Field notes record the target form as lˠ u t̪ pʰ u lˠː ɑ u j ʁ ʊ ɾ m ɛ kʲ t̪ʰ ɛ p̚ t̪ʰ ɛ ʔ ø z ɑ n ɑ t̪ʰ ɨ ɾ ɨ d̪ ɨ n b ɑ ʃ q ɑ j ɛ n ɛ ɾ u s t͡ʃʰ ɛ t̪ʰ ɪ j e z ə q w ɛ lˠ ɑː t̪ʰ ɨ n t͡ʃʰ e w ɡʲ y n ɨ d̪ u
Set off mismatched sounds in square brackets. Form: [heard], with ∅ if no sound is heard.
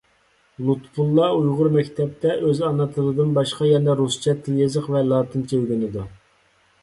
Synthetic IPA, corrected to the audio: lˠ u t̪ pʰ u lˠː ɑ u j ʁ ʊ ɾ m ɛ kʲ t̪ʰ ɛ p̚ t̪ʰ ɛ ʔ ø z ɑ n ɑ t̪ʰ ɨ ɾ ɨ d̪ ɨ n b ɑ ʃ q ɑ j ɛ n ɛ ɾ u s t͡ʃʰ ɛ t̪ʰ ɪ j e z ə q [v] ɛ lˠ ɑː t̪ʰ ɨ n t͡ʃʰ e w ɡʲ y n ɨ d̪ u